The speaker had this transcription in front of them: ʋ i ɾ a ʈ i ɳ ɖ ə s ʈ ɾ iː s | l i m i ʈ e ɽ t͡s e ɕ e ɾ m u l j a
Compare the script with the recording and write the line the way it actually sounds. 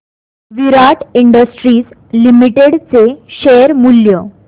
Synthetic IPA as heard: ʋ i ɾ a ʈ i ɳ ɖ ə s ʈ ɾ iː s | l i m i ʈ e ɽ t͡s e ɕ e ɾ m u l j ə